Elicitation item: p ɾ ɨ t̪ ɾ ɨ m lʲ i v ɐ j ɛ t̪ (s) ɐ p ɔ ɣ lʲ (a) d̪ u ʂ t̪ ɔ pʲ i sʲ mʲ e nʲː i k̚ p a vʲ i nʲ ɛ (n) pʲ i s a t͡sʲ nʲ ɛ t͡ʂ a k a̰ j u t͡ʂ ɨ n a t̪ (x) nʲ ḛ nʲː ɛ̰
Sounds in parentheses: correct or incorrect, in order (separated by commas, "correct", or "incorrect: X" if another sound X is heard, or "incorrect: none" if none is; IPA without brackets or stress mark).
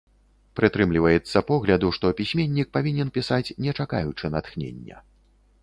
incorrect: sː, incorrect: ɐ, correct, correct